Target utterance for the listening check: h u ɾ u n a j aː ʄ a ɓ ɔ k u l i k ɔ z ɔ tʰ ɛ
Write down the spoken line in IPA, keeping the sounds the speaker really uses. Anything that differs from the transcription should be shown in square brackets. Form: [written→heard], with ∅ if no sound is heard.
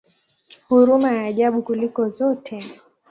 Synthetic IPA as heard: h u ɾ u [n→m] a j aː ʄ a ɓ [ɔ→u] k u l i k ɔ z ɔ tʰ ɛ